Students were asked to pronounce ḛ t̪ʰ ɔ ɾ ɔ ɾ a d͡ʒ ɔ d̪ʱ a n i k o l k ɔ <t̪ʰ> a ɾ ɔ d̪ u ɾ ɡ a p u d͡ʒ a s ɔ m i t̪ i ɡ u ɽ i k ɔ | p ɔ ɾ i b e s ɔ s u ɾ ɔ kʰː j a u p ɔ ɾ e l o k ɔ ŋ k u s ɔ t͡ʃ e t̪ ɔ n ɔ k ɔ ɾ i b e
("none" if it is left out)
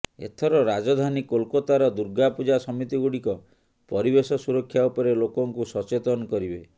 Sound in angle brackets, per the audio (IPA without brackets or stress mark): t̪